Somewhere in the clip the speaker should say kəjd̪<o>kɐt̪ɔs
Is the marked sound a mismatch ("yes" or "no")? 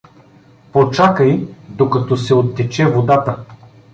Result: no